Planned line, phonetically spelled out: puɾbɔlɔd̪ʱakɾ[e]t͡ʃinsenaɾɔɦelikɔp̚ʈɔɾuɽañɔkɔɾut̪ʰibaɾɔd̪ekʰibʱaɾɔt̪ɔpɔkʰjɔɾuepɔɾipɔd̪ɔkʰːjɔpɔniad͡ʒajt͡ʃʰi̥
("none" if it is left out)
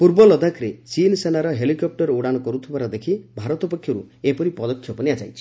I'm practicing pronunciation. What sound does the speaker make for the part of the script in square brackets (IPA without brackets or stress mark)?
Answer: e